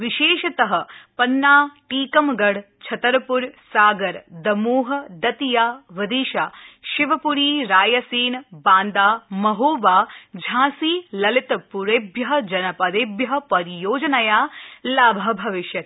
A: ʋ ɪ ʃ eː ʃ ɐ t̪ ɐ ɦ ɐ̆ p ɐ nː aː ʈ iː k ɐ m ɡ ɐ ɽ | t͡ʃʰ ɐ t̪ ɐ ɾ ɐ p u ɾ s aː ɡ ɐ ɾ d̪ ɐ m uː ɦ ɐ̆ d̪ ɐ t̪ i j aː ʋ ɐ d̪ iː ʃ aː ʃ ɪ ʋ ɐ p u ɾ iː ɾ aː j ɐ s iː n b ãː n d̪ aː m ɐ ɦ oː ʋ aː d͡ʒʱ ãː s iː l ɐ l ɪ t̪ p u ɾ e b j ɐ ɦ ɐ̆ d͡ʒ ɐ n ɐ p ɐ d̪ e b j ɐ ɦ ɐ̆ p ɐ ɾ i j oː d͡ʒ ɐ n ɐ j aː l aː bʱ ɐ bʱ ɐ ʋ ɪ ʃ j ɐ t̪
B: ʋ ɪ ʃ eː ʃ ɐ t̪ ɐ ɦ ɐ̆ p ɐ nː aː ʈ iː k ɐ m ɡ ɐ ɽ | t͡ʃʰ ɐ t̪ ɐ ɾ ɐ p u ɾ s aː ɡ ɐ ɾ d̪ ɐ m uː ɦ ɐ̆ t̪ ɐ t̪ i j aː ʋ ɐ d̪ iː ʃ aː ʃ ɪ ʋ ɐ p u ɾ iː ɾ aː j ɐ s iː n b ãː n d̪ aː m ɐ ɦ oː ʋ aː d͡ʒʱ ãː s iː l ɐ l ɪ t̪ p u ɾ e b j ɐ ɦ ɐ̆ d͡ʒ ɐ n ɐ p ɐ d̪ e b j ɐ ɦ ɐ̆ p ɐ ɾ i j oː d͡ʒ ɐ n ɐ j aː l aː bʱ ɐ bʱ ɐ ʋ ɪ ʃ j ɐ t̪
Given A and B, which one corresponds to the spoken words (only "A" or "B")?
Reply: A